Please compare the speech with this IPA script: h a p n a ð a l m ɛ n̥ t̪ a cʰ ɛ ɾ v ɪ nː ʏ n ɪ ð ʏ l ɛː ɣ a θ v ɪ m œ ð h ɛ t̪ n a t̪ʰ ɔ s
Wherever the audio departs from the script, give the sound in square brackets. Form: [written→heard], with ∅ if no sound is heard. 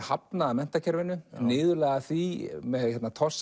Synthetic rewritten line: h a p n a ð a [l→∅] m ɛ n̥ t̪ a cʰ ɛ ɾ v ɪ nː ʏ n [ɪ→ɪː] ð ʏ l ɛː ɣ a θ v [ɪ→i] m [œ→ɛ] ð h ɛ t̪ n a t̪ʰ ɔ s